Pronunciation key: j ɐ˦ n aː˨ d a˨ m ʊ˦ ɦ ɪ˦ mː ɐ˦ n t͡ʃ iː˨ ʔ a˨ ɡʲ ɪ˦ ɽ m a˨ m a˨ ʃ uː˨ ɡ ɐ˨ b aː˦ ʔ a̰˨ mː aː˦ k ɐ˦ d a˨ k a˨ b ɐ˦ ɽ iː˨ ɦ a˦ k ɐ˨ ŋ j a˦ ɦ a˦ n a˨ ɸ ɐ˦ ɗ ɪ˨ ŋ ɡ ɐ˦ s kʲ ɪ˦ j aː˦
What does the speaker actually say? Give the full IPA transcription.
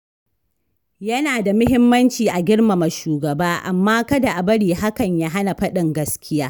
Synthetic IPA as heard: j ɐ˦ n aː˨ d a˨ m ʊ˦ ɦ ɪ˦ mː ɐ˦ n t͡ʃ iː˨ ʔ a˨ ɡʲ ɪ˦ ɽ m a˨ m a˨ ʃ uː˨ ɡ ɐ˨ b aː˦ ʔ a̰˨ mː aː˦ k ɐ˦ d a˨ ʔ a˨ b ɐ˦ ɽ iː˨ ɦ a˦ k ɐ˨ ɲ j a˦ ɦ a˦ n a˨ ɸ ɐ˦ ɗ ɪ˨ ŋ ɡ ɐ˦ s kʲ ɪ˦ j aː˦